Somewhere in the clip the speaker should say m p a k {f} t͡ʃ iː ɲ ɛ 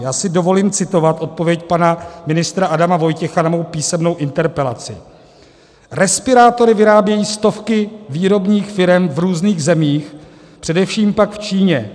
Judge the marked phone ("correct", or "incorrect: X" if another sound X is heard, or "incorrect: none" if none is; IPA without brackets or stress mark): correct